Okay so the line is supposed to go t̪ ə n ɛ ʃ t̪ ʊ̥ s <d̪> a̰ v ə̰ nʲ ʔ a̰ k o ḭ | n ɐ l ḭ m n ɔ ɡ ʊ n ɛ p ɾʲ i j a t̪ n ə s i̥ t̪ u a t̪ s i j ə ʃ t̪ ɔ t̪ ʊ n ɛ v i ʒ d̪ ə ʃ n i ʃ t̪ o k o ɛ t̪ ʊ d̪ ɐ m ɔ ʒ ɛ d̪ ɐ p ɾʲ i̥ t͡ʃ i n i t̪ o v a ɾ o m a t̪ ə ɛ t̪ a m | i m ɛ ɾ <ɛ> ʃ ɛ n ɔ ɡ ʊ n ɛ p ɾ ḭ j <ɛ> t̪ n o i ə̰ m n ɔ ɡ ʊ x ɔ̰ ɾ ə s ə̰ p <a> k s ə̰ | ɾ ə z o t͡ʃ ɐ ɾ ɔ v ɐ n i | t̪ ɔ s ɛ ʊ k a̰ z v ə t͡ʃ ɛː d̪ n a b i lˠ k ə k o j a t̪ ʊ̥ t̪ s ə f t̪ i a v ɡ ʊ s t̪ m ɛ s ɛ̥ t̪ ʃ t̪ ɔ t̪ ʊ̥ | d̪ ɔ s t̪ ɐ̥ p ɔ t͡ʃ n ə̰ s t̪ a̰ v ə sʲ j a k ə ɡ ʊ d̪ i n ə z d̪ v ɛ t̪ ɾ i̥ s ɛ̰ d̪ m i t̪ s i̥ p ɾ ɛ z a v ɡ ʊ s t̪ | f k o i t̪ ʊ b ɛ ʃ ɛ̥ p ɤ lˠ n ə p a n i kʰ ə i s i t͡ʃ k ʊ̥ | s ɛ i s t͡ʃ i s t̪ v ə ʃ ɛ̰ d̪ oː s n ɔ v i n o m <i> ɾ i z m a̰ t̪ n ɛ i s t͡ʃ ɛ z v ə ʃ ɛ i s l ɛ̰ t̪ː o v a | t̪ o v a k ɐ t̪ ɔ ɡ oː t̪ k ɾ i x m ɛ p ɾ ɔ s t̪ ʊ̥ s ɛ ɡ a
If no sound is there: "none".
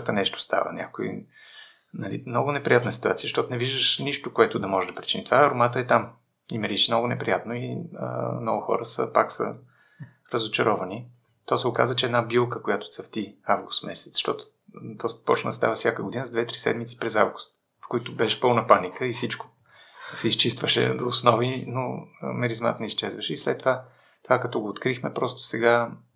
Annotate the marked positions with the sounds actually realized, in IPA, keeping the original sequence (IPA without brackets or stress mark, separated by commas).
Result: t̪, i, a, a, ɛ